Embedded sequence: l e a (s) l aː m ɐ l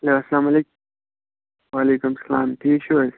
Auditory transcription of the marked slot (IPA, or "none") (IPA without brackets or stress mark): s